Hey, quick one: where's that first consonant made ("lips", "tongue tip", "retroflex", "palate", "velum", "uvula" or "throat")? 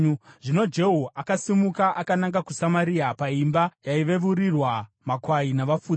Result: retroflex